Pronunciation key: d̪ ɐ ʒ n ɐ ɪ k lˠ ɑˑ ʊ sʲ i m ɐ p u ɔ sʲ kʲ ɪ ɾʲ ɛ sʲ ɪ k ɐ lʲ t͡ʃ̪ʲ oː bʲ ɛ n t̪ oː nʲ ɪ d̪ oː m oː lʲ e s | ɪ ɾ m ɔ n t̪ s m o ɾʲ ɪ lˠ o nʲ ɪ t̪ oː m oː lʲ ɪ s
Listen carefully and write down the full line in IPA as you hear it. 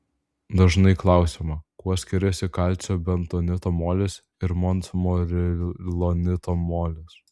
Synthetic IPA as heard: d̪ ɐ ʒ n ɐ ɪ k lˠ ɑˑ ʊ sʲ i m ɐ k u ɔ sʲ kʲ ɪ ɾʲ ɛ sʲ ɪ k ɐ lʲ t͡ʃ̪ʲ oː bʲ ɛ n t̪ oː nʲ ɪ t̪ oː m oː lʲ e s | ɪ ɾ m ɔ n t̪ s m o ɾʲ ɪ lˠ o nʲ ɪ t̪ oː m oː lʲ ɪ s

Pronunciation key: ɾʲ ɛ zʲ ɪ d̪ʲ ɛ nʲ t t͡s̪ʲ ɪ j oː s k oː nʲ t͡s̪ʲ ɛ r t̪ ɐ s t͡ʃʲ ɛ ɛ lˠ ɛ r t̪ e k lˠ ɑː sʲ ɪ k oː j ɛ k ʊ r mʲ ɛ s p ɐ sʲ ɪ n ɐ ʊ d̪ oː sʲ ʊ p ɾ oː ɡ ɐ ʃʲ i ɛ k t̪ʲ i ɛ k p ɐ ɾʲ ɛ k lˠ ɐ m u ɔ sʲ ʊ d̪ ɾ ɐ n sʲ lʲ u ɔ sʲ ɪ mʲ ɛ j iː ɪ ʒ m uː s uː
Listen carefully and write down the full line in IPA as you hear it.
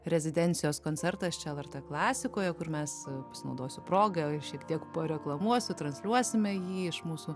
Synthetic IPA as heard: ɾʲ ɛ zʲ ɪ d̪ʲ ɛ nʲ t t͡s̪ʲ ɪ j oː s k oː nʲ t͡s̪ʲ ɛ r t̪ ɐ s t͡ʃʲ ɛ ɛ lˠ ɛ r t̪ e k lˠ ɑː sʲ ɪ k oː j ɛ k ʊ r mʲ ɛ s p ɐ sʲ ɪ n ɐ ʊ d̪ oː sʲ ʊ p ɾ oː ɡ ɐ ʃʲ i ɛ k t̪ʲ i ɛ k p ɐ ɾʲ ɛ k lˠ ɐ m u ɔ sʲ ʊ t̪ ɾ ɐ n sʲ lʲ u ɔ sʲ ɪ mʲ ɛ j iː ɪ ʃ m uː s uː

